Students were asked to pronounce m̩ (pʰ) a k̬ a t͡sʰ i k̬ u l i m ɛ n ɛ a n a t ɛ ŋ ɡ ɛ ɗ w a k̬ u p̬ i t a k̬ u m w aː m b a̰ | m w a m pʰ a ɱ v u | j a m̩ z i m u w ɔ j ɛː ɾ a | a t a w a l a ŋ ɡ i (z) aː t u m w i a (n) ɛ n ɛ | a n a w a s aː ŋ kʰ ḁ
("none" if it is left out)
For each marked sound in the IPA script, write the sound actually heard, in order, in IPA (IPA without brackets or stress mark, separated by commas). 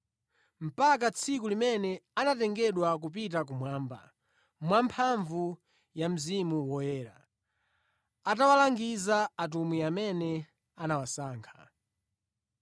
p, z, m